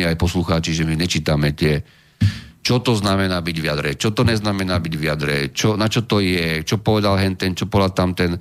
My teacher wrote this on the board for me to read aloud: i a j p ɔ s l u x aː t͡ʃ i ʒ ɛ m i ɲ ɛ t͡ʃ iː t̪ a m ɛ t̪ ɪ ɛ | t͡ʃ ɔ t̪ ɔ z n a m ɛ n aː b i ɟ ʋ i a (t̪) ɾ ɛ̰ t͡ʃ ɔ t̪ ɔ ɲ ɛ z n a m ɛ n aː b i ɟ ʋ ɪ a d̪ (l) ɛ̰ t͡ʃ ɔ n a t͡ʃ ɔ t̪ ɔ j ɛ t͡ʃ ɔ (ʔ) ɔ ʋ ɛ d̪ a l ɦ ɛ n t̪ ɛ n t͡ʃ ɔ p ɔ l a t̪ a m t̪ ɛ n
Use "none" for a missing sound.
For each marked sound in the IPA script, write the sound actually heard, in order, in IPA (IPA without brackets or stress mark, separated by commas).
d̪, ɾ, p